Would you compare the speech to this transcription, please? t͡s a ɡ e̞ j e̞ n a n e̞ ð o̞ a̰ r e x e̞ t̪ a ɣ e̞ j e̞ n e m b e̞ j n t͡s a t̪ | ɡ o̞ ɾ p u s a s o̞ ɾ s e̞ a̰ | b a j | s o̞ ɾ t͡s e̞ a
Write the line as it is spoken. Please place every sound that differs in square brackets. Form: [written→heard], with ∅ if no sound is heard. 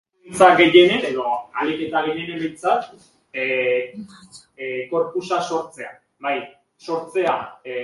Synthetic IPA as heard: t͡s a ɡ e̞ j e̞ n [a→e] n e̞ ð o̞ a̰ [r→l] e [x→k] e̞ t̪ a ɣ e̞ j e̞ n e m b e̞ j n t͡s a t̪ | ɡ o̞ ɾ p u s a s o̞ ɾ [s→t͡s] e̞ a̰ | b a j | s o̞ ɾ t͡s e̞ a